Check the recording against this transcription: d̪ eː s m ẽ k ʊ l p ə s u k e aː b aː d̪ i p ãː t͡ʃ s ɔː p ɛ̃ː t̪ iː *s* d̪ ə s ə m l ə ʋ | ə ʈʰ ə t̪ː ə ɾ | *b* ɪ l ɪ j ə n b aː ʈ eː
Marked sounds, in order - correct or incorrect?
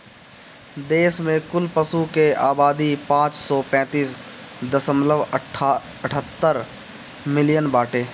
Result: correct, incorrect

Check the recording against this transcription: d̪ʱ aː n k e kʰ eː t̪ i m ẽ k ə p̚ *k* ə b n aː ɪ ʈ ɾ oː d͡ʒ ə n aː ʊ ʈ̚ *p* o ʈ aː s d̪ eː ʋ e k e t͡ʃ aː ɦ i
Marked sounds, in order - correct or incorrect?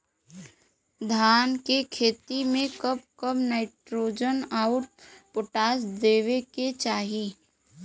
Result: correct, correct

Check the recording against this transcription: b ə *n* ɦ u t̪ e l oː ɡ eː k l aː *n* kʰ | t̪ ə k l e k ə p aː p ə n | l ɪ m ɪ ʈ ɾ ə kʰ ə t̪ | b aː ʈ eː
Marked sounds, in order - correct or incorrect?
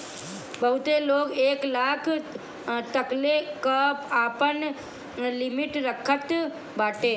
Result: incorrect, incorrect

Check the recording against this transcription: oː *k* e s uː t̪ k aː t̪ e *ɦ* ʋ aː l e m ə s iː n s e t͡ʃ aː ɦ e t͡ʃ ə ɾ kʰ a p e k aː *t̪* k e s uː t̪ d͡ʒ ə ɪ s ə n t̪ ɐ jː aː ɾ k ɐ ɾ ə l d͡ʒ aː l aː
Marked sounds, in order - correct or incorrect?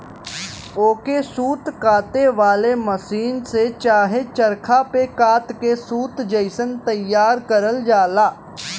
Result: correct, incorrect, correct

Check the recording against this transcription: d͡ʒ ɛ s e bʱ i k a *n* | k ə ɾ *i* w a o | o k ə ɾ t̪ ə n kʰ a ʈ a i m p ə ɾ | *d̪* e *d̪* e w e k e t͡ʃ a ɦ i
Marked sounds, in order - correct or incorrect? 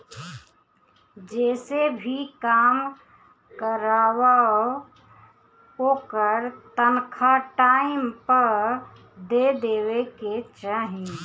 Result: incorrect, incorrect, correct, correct

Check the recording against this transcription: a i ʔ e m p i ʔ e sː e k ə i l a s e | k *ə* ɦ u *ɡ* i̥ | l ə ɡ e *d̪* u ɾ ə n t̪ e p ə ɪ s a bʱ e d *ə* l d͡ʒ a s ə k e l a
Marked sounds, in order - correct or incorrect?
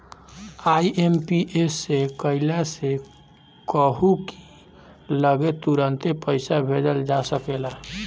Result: correct, incorrect, incorrect, correct

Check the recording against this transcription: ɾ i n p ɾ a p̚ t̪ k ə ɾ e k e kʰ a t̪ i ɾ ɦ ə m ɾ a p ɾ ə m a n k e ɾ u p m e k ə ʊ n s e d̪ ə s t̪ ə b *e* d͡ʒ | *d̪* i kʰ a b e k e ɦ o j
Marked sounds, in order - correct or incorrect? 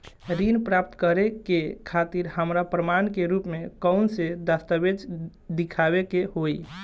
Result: correct, correct

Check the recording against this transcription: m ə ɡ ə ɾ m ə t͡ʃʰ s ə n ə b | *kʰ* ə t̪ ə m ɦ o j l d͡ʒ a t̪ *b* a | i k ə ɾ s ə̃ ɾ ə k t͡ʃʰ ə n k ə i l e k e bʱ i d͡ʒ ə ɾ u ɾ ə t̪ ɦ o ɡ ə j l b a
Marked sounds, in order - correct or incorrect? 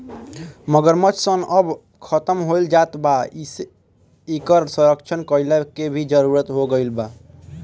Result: correct, correct

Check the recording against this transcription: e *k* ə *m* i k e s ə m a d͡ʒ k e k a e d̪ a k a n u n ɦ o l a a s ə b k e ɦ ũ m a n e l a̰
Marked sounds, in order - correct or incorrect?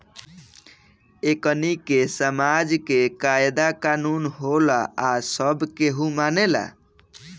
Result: correct, incorrect

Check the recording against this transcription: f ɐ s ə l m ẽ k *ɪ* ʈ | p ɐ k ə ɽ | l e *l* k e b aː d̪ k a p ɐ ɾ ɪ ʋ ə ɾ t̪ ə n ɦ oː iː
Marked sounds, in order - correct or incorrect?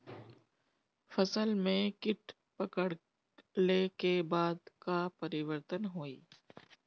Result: correct, incorrect

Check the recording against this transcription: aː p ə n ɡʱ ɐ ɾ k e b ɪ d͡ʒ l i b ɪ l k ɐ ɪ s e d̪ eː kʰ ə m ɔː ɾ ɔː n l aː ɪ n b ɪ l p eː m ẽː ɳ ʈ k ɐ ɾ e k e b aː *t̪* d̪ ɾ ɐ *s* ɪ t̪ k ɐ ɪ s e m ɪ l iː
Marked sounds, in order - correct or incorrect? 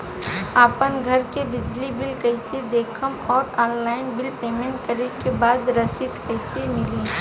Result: incorrect, correct

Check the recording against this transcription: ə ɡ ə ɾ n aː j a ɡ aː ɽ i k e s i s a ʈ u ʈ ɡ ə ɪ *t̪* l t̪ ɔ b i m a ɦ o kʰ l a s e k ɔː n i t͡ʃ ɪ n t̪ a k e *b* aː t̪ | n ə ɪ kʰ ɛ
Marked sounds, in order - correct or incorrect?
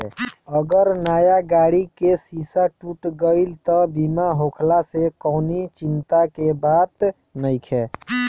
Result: incorrect, correct

